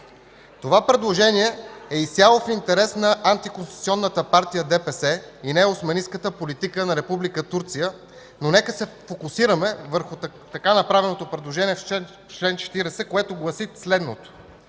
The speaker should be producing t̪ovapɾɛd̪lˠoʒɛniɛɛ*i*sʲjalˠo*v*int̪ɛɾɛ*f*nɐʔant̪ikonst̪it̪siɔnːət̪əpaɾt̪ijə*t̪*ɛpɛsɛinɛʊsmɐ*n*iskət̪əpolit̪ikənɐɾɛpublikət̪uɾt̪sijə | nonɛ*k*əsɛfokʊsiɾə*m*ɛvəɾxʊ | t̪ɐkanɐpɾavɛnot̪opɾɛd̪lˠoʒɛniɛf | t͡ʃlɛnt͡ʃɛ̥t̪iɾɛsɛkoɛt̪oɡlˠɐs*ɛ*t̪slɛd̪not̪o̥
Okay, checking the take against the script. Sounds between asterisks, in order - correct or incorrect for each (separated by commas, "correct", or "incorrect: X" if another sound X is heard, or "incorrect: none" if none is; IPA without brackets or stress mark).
correct, incorrect: f, incorrect: s, incorrect: d̪, correct, correct, correct, incorrect: i